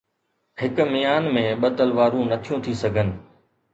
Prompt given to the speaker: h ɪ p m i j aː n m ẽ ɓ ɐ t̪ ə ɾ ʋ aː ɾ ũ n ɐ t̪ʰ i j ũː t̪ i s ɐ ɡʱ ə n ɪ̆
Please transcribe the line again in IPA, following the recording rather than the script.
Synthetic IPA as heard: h ɪ k m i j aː n m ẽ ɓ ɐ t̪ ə l ʋ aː ɾ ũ n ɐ t̪ʰ i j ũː t̪ʰ i s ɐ ɡʱ ə n ɪ̆